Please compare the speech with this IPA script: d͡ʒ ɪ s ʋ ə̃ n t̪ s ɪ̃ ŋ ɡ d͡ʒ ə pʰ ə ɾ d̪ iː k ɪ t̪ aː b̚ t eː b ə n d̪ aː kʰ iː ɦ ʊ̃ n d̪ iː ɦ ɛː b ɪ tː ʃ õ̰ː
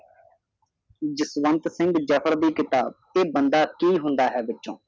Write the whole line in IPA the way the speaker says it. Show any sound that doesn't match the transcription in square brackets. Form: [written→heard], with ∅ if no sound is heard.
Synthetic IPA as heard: d͡ʒ ɪ s ʋ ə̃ n t̪ s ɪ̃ ŋ ɡ d͡ʒ ə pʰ ə ɾ d̪ iː k ɪ t̪ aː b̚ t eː b ə n d̪ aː [kʰ→k] iː ɦ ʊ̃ n d̪ [iː→aː] ɦ ɛː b ɪ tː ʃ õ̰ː